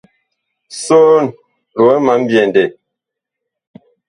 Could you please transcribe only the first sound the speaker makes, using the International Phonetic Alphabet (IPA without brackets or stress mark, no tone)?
s